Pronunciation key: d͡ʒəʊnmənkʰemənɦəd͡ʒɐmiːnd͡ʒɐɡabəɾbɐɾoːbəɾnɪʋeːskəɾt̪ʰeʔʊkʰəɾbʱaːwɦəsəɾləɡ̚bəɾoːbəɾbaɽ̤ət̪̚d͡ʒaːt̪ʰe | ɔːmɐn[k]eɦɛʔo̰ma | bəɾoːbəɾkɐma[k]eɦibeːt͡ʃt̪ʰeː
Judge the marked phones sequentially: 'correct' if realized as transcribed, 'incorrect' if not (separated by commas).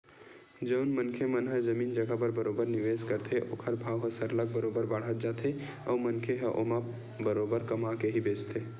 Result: incorrect, correct